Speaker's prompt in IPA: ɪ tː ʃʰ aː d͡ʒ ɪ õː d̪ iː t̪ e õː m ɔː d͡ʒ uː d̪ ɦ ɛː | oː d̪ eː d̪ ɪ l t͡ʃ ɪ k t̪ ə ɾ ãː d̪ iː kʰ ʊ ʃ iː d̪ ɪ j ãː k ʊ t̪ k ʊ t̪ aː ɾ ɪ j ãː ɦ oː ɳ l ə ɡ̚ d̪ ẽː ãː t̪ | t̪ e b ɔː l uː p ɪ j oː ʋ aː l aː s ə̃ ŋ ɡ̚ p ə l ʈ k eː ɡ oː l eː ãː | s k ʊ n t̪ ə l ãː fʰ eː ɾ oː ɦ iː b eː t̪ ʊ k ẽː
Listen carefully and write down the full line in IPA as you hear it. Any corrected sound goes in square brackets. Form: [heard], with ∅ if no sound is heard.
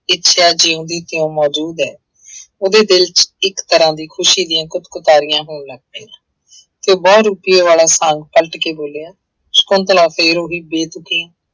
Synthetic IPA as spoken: ɪ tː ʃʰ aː d͡ʒ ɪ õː d̪ iː t̪ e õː m ɔː d͡ʒ uː d̪ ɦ ɛː | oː d̪ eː d̪ ɪ l t͡ʃ ɪ k t̪ ə ɾ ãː d̪ iː kʰ ʊ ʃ iː d̪ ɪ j ãː k ʊ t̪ k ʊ t̪ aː ɾ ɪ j ãː ɦ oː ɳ l ə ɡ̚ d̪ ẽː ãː [∅] | t̪ e b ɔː [ɾ] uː p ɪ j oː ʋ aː l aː s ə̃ ŋ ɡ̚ p ə l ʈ k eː [b] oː l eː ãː | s k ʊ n t̪ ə l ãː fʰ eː ɾ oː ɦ iː b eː t̪ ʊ k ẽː

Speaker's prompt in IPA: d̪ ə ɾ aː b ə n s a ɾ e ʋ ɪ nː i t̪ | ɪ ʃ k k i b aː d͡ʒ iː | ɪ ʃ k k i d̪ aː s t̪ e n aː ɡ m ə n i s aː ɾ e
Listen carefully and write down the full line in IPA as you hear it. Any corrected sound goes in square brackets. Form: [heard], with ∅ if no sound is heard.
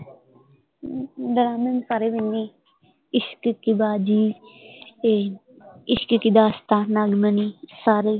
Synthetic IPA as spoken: d̪ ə ɾ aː [m] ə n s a ɾ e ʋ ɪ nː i [∅] | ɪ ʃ k k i b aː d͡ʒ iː | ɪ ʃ k k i d̪ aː s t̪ [a] n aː ɡ m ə n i s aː ɾ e

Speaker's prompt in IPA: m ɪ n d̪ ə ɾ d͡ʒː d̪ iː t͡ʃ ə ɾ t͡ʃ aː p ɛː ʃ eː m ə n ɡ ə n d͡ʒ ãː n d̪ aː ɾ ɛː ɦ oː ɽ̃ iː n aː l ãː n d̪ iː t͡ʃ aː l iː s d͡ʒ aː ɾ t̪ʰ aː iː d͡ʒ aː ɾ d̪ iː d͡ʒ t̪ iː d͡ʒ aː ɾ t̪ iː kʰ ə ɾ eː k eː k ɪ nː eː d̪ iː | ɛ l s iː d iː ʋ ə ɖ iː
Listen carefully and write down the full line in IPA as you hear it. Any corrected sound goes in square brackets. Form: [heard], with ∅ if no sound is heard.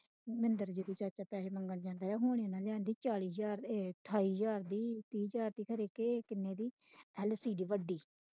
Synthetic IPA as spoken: m ɪ n d̪ ə ɾ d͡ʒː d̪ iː t͡ʃ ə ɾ t͡ʃ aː p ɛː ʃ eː m ə [ŋ] ɡ ə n d͡ʒ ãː n d̪ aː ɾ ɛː ɦ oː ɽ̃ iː n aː l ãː n d̪ iː t͡ʃ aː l iː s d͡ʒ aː ɾ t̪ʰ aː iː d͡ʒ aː ɾ d̪ iː [∅] t̪ iː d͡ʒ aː ɾ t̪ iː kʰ ə ɾ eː k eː k ɪ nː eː d̪ iː | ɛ l s iː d iː ʋ ə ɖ iː

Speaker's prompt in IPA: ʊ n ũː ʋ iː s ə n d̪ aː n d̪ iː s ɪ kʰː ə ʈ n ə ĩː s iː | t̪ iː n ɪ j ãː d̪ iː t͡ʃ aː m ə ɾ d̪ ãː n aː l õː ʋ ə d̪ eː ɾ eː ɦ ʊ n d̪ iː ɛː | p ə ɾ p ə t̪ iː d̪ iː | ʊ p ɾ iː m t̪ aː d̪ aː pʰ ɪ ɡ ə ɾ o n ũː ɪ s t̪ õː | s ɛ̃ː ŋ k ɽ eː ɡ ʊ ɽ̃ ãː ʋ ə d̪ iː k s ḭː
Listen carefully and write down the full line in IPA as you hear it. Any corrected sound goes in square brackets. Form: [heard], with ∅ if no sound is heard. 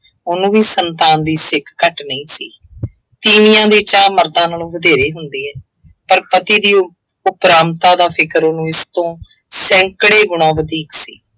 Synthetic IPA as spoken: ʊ n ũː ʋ iː s ə n [t̪] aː n d̪ iː s ɪ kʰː ə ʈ n ə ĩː s iː | t̪ iː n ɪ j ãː d̪ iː t͡ʃ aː m ə ɾ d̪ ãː n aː l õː ʋ ə d̪ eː ɾ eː ɦ ʊ n d̪ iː ɛː | p ə ɾ p ə t̪ iː d̪ iː | ʊ p ɾ [aː] m t̪ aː d̪ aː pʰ ɪ [k] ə ɾ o n ũː ɪ s t̪ õː | s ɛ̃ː ŋ k ɽ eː ɡ ʊ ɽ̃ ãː ʋ ə d̪ iː k s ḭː

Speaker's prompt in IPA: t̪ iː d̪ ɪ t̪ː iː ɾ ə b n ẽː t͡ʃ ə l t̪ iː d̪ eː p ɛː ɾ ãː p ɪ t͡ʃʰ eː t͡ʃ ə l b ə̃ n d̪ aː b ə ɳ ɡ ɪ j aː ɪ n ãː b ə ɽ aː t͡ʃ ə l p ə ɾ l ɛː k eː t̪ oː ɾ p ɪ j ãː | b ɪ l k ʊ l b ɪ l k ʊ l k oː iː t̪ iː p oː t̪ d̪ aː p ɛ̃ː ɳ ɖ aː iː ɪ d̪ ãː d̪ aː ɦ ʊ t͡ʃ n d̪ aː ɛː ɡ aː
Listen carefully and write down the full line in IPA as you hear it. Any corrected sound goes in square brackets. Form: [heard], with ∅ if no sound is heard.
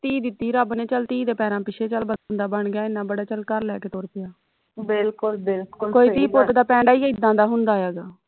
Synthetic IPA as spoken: t̪ iː d̪ ɪ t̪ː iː ɾ ə b n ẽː t͡ʃ ə l t̪ iː d̪ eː p ɛː ɾ ãː p ɪ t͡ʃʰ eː t͡ʃ ə l b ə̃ n d̪ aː b ə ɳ ɡ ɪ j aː ɪ n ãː b ə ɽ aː t͡ʃ ə l [k] ə ɾ l ɛː k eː t̪ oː ɾ p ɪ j [aː] | b ɪ l k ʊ l b ɪ l k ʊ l k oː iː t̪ iː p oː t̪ d̪ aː p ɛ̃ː ɳ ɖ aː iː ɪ d̪ ãː d̪ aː ɦ ʊ [∅] n d̪ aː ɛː ɡ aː

